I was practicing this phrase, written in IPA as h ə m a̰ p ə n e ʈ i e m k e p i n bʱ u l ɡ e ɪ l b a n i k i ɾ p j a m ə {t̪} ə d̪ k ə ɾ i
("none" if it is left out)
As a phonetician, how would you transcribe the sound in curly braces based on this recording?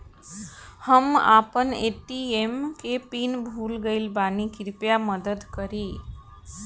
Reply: d̪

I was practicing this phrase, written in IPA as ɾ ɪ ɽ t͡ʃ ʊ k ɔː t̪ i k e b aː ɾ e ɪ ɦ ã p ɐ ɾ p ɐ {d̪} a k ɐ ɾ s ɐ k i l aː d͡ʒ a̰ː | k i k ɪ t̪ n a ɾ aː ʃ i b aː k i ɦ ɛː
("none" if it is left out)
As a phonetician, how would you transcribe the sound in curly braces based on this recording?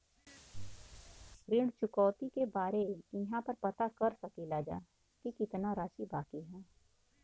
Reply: t̪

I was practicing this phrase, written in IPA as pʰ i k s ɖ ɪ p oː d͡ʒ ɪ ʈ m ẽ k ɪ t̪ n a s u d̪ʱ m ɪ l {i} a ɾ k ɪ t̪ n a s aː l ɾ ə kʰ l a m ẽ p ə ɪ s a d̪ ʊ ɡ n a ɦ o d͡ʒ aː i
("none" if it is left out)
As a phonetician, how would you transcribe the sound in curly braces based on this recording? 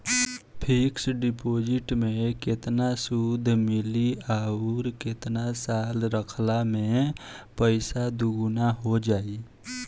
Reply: i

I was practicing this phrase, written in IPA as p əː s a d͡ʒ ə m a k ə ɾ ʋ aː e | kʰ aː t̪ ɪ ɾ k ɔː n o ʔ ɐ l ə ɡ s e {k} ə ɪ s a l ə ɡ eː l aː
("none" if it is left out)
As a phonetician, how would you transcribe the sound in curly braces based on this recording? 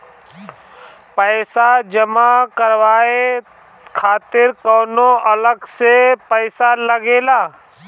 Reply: p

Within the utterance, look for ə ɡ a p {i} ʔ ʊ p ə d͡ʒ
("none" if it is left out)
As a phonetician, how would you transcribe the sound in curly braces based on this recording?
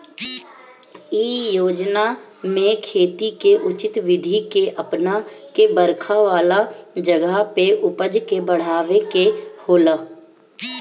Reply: e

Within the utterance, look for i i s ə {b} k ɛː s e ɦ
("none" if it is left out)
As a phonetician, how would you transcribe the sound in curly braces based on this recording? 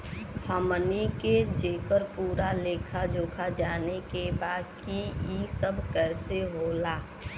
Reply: b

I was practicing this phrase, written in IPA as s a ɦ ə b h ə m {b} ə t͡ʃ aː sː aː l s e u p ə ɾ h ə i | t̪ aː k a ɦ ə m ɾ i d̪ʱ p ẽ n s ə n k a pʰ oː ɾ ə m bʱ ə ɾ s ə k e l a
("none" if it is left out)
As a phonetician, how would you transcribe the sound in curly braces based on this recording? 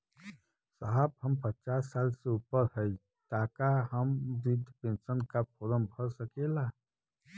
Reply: p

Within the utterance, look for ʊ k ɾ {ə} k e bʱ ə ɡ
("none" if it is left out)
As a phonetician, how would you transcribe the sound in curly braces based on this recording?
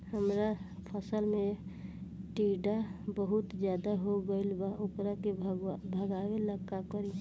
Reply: a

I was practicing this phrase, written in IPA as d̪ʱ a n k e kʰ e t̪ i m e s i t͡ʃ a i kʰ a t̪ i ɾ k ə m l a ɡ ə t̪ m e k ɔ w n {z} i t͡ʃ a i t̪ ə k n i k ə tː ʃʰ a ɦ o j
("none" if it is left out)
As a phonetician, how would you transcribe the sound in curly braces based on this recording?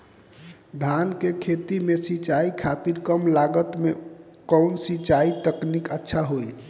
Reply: s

